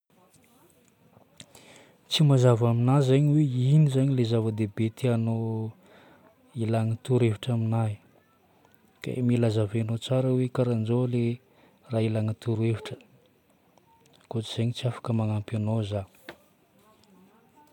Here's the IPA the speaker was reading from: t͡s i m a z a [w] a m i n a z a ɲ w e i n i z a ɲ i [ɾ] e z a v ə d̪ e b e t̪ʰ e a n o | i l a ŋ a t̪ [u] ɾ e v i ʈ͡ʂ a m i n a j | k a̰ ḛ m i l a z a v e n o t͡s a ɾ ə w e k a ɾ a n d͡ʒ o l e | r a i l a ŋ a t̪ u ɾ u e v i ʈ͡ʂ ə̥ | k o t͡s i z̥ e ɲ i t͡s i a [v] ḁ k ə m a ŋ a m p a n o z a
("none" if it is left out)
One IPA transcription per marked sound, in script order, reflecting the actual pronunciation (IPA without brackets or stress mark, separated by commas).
v, l, u, f